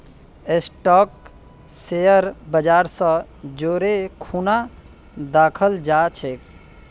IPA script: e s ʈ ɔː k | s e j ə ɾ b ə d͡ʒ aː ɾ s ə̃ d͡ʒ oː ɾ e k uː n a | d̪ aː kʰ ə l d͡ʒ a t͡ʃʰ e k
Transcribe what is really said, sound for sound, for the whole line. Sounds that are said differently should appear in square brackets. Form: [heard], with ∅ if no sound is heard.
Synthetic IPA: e s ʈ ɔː k | s e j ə ɾ b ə d͡ʒ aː ɾ s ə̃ d͡ʒ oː ɾ e [kʰ] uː n a | d̪ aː kʰ ə l d͡ʒ a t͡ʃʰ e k